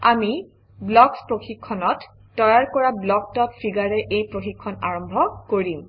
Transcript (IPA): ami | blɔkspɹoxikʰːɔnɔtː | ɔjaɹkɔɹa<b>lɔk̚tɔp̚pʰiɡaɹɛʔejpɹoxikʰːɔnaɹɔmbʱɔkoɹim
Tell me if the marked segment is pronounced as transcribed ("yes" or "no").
yes